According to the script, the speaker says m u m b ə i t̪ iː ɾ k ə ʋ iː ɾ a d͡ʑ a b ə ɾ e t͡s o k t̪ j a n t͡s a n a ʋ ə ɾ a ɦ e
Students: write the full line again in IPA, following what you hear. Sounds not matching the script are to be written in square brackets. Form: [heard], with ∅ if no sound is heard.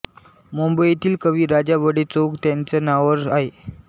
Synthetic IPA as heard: m u m b ə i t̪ iː [l] k ə ʋ iː ɾ a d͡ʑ a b ə [ɽ] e t͡s o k t̪ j a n t͡s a n a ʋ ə ɾ a ɦ e

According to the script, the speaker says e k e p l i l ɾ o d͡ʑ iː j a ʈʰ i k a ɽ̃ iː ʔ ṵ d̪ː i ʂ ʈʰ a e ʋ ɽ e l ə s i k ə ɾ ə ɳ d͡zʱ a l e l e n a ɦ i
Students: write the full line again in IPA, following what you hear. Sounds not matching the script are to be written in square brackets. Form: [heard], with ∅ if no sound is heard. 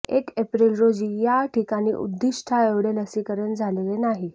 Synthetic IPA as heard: e k e p [ɾ] i l ɾ o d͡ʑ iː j a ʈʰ i k a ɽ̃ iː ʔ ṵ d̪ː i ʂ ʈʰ a e ʋ ɽ e l ə s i k ə ɾ ə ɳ d͡zʱ a l e l e n a ɦ i

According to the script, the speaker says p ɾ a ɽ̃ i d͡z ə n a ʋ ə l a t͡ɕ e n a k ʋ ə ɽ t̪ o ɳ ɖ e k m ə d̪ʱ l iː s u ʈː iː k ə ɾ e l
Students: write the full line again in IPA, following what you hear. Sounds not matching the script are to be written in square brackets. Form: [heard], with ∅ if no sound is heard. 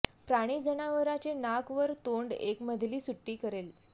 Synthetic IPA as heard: p ɾ a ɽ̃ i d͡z ə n a ʋ ə [ɾ] a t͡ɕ e n a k ʋ ə [ɾ] t̪ o ɳ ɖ e k m ə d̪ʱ l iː s u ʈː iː k ə ɾ e l

